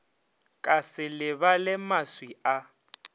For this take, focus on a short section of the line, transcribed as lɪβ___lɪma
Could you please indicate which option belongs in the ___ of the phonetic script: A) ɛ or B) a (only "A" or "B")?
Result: B